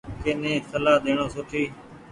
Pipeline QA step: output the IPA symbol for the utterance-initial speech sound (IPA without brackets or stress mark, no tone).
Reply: k